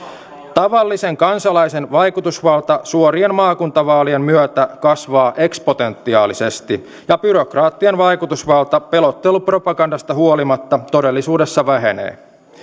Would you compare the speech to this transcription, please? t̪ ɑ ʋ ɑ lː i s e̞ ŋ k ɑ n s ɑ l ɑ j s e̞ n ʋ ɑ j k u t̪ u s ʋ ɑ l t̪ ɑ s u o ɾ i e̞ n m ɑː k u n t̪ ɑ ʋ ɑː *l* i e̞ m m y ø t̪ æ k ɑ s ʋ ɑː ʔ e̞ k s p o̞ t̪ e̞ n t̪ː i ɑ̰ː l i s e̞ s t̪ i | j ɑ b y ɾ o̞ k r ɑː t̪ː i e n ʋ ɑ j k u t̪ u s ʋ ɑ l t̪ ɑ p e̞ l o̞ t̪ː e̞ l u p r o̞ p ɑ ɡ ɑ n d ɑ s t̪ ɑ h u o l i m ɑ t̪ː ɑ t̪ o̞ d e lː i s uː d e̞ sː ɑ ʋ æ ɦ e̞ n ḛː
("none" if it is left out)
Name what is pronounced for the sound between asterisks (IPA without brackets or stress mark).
l